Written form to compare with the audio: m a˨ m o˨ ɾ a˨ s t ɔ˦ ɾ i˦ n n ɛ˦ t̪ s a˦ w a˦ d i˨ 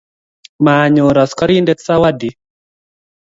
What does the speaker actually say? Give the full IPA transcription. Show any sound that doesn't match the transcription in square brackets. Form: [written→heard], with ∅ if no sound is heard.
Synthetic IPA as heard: m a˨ [m→ɲ] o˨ ɾ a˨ s [t→k] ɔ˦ ɾ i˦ n [n→d] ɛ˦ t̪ s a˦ w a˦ d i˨